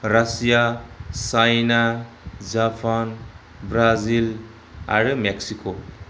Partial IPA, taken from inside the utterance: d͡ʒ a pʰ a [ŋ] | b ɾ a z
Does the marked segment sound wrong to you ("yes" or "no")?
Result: yes